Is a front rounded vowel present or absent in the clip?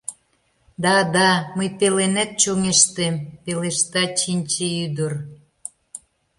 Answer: present